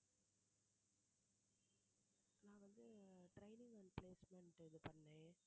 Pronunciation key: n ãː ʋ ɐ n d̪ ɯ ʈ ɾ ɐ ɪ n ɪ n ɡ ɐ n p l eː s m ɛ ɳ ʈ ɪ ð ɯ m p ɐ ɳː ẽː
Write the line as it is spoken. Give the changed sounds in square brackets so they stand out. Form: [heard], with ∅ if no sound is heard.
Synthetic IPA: n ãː ʋ ɐ n d̪ ɯ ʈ ɾ ɐ ɪ n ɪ [ŋ] ɡ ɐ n p l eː s m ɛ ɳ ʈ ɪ ð ɯ [∅] p ɐ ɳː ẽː